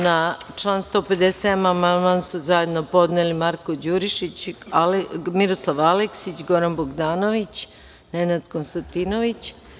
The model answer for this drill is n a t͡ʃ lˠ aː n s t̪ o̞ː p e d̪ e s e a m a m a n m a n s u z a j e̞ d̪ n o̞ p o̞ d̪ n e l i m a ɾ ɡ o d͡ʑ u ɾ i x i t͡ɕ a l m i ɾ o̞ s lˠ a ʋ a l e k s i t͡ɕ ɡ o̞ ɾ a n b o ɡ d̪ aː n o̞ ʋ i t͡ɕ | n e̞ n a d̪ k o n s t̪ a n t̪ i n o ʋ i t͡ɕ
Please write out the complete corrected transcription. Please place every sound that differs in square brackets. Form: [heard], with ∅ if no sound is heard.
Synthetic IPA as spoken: n a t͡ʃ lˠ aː n s t̪ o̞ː p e d̪ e s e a m a m a n m a n s u z a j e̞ d̪ n o̞ p o̞ d̪ n e l i m a ɾ [k] o d͡ʑ u ɾ i [ʃ] i t͡ɕ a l m i ɾ o̞ s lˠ a ʋ a l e k s i t͡ɕ ɡ o̞ ɾ a n b o ɡ d̪ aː n o̞ ʋ i t͡ɕ | n e̞ n a d̪ k o n s t̪ a n t̪ i n o ʋ i t͡ɕ